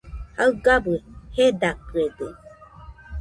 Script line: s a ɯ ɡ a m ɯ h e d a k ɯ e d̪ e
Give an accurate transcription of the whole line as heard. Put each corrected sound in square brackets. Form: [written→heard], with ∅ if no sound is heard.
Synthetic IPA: [s→h] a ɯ ɡ a [m→b] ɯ h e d a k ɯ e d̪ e